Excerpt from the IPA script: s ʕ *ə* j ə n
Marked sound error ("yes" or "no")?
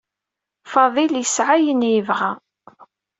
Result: yes